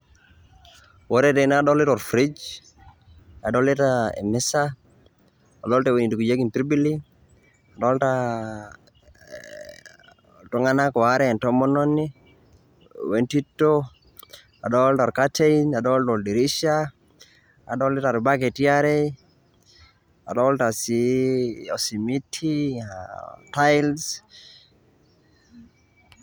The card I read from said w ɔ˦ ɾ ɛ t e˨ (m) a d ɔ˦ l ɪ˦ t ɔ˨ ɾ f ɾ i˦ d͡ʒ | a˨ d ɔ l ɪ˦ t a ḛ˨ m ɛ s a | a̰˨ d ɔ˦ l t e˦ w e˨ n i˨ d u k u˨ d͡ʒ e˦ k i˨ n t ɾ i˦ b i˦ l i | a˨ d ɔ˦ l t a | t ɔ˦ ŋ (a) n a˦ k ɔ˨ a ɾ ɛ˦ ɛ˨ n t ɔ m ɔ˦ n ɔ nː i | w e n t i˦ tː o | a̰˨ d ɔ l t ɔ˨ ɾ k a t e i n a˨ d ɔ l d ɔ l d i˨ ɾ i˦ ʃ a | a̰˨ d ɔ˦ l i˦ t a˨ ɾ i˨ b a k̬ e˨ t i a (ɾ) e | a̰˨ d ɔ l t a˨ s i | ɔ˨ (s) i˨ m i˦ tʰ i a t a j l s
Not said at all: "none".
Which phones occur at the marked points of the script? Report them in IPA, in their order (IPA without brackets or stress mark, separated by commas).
n, a, ɾ, s